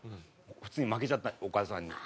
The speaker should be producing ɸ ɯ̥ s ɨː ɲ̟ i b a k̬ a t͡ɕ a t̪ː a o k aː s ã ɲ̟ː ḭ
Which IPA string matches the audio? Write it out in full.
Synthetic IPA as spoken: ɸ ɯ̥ t͡s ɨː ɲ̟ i m a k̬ e t͡ɕ a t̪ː a o k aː s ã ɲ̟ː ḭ